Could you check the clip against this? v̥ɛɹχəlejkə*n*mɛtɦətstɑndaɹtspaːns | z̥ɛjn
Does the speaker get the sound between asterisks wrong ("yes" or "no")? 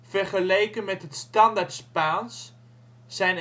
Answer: no